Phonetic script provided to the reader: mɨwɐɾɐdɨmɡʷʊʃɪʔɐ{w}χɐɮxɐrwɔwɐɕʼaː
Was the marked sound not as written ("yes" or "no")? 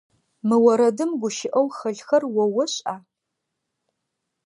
no